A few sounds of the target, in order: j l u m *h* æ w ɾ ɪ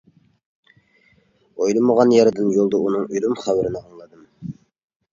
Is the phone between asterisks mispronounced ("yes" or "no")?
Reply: yes